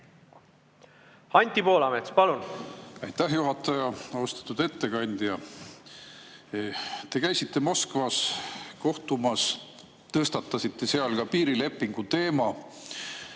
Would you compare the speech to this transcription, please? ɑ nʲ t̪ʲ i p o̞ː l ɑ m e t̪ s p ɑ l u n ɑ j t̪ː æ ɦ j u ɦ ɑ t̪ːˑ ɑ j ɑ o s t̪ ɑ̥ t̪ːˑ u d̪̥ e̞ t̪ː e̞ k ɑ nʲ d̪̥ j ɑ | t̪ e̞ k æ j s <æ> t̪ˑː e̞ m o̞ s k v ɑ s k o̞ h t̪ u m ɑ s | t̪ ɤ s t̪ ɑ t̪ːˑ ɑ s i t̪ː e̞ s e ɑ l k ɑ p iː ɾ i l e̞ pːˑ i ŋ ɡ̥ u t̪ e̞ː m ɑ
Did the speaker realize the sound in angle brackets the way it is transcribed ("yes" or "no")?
no